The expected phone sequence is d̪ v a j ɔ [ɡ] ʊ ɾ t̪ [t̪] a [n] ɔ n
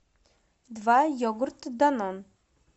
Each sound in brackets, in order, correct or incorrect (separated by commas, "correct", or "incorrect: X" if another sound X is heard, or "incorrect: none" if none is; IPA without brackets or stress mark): correct, incorrect: d̪, correct